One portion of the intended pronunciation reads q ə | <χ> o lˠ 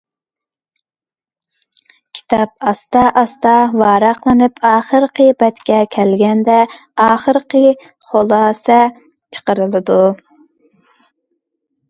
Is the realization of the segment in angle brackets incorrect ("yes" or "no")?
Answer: no